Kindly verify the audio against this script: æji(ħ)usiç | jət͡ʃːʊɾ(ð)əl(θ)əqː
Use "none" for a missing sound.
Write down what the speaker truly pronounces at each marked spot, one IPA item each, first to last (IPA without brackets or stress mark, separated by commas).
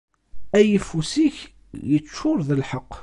f, ð, ħ